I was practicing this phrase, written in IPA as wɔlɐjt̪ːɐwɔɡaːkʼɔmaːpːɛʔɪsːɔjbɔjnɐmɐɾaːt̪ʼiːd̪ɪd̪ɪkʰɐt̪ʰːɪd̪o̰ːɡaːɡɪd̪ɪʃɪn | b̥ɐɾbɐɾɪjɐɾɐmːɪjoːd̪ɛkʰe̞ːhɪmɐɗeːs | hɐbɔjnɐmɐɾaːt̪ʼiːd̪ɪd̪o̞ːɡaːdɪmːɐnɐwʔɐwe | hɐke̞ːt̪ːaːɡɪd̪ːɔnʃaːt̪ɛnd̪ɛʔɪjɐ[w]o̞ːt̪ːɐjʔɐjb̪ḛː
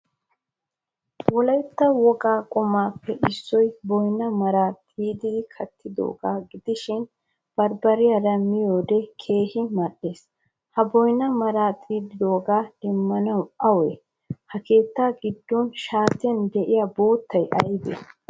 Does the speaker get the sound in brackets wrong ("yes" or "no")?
yes